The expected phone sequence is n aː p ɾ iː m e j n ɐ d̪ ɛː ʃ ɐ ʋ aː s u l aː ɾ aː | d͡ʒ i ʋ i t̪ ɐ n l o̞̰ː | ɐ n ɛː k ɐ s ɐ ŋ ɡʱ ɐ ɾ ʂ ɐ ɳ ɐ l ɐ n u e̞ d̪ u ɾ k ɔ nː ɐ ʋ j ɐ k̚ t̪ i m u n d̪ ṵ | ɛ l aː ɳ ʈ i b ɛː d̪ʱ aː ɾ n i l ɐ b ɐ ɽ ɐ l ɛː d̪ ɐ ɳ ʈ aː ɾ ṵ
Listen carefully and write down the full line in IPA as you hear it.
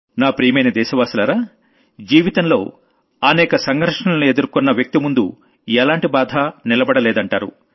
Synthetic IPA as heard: n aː p ɾ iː m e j n ɐ d̪ ɛː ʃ ɐ ʋ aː s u l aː ɾ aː | d͡ʒ iː ʋ i t̪ ɐ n l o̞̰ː | ɐ n ɛː k ɐ s ɐ ŋ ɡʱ ɐ ɾ ʂ ɐ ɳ ɐ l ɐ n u e̞ d̪ u ɾ k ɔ nː ɐ ʋ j ɐ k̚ t̪ i m u n d̪ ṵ | ɛ l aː ɳ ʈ i b aː d̪ʱ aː n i l ɐ b ɐ ɽ ɐ l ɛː d̪ ɐ ɳ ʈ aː ɾ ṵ